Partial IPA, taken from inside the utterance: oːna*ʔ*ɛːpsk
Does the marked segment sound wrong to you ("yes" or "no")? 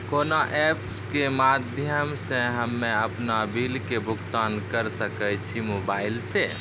no